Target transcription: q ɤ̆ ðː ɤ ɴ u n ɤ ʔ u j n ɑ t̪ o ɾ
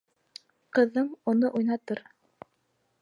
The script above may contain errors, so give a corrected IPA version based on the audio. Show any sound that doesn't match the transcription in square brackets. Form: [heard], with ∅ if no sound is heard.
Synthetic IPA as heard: q ɤ̆ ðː ɤ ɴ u n ɤ ʔ u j n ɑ t̪ [ɤ] ɾ